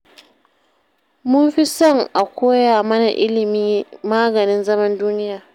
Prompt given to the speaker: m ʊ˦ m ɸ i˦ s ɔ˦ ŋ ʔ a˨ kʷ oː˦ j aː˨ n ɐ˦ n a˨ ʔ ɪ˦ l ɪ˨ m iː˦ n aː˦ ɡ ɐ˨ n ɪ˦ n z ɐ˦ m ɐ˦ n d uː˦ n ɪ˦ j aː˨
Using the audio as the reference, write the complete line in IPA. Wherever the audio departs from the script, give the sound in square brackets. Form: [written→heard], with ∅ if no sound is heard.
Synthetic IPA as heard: m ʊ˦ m ɸ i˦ s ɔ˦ ŋ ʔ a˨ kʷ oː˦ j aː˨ [n→m] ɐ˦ n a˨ ʔ ɪ˦ l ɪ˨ m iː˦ [n→m] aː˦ ɡ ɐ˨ n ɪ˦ n z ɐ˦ m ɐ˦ n d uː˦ n ɪ˦ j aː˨